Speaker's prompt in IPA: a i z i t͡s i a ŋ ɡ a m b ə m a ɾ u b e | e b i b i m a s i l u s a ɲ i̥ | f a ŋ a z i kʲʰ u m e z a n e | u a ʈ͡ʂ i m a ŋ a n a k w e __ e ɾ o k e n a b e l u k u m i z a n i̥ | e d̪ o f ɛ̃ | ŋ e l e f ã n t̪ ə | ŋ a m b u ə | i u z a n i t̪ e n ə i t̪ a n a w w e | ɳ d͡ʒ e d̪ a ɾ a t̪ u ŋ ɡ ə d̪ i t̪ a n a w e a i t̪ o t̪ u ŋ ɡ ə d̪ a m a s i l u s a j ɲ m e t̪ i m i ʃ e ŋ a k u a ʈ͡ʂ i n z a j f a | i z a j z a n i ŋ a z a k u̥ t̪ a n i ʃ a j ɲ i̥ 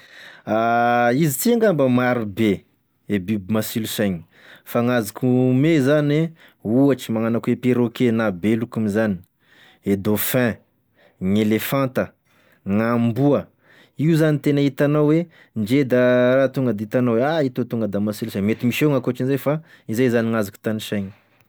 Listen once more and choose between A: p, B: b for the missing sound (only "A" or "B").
A